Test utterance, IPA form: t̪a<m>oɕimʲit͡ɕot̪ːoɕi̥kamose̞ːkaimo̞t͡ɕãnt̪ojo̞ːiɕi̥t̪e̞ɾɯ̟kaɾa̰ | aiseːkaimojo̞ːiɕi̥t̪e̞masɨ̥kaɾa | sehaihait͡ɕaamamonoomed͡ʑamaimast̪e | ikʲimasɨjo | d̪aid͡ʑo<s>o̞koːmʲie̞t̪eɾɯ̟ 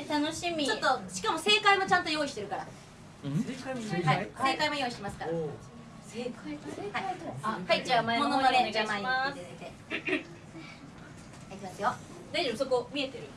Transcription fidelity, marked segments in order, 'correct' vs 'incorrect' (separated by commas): incorrect, correct